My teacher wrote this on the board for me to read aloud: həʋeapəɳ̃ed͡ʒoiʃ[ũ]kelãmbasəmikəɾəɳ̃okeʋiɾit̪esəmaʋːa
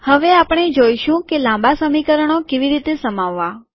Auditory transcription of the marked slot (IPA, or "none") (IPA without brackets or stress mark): ũ